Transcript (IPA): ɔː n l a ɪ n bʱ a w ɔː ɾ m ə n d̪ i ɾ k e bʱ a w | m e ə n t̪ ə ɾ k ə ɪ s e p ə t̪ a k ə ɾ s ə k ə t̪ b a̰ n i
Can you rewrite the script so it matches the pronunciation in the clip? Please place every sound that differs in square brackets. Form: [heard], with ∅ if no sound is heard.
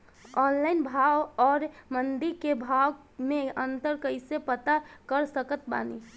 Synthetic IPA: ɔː n l a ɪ n bʱ a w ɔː ɾ m ə n d̪ i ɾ k e bʱ a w | m e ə n t̪ ə ɾ k ə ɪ s e p ə t̪ a k ə ɾ s ə k ə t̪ b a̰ n i